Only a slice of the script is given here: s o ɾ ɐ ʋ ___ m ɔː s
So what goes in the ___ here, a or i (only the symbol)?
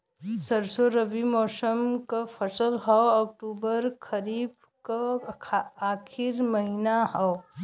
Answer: i